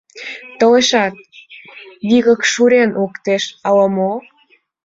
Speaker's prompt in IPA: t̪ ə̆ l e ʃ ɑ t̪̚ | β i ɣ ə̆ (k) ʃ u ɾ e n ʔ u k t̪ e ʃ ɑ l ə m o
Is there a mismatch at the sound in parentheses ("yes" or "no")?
no